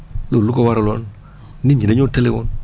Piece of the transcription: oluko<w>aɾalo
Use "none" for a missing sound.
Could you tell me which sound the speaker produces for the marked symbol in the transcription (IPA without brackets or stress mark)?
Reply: w